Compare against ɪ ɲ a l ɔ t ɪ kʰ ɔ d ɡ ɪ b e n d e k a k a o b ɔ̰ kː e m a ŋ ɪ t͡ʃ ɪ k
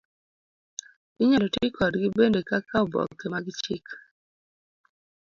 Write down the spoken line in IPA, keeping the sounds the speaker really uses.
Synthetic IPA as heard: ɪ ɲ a l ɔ t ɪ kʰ ɔ d ɡ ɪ b e n d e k a k a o b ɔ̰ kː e m a ɡ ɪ t͡ʃ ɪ k